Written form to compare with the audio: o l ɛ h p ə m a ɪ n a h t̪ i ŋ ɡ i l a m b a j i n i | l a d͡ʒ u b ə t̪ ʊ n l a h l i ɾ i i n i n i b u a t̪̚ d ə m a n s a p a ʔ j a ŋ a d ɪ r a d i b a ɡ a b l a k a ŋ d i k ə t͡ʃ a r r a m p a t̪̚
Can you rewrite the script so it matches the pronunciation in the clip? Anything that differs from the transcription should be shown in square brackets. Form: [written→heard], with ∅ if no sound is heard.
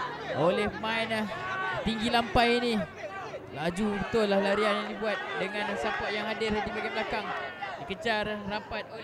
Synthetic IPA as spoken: o l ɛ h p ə m a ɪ n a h t̪ i ŋ ɡ i l a m [b→p] a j i n i | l a d͡ʒ u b ə t̪ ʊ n l a h l [i→a] ɾ i [i→a] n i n i b u a t̪̚ d ə [m→ŋ] a n s a p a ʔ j a ŋ a d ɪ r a d i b a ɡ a b l a k a ŋ d i k ə t͡ʃ a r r a m p a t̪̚